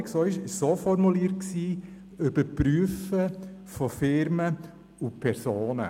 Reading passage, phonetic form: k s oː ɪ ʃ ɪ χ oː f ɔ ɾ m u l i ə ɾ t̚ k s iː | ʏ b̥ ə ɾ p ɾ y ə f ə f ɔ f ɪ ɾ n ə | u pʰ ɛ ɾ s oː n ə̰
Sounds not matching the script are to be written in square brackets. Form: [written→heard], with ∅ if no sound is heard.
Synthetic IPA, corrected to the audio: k s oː ɪ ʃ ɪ [χ→s] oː f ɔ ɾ m u l i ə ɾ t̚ k s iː | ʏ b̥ ə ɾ p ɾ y ə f ə f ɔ f ɪ ɾ [n→m] ə | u pʰ ɛ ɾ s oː n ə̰